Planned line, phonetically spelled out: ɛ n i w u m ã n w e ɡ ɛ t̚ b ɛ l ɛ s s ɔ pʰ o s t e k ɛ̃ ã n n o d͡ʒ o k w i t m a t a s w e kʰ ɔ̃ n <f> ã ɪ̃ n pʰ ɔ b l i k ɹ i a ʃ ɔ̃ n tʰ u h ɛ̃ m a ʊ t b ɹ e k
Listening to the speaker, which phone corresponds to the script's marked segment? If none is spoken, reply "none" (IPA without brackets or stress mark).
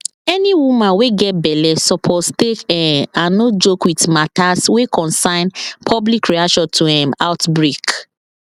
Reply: s